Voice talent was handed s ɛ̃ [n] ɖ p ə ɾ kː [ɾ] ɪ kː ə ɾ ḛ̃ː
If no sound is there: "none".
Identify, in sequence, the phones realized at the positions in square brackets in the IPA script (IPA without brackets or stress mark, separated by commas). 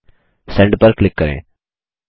ɳ, l